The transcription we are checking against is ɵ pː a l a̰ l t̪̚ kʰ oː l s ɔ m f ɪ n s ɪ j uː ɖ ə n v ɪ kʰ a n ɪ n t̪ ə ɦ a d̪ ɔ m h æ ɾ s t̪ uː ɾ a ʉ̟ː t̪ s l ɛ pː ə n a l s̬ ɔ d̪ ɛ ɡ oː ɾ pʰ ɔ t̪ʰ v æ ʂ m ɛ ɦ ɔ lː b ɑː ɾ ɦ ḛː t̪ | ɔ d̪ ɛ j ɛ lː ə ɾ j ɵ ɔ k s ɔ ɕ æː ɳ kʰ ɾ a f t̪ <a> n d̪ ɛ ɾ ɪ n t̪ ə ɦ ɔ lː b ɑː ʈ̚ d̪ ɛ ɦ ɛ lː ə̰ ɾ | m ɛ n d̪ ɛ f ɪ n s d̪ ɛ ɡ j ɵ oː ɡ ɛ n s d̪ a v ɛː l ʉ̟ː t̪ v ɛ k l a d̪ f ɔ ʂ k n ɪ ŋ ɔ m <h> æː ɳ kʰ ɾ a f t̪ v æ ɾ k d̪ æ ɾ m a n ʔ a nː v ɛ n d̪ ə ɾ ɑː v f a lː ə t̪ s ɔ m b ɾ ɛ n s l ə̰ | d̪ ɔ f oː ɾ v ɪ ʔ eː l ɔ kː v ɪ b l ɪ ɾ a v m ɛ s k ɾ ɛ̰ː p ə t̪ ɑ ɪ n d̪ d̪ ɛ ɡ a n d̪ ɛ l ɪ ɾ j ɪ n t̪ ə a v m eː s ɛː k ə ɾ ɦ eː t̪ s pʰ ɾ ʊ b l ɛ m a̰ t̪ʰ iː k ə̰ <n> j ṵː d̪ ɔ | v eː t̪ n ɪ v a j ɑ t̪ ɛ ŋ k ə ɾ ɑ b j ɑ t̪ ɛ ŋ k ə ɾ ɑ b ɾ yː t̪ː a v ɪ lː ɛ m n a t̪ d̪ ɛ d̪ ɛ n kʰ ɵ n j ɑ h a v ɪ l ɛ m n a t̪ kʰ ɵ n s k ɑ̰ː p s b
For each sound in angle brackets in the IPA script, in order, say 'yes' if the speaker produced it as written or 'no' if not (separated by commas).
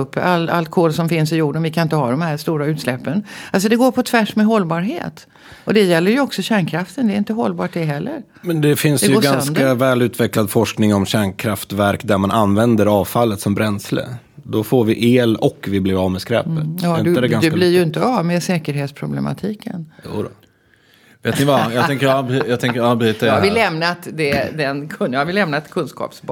no, no, yes